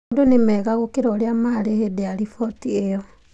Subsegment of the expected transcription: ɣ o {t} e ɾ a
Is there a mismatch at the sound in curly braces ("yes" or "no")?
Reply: yes